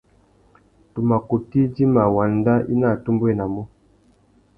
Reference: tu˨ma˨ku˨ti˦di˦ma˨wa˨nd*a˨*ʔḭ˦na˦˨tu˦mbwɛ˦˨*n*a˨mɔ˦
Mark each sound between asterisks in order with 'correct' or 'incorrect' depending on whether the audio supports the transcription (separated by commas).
incorrect, correct